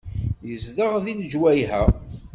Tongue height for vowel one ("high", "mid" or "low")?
mid